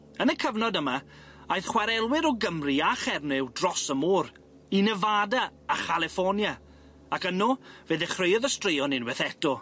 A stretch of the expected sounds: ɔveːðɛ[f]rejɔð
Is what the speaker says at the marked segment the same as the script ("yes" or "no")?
no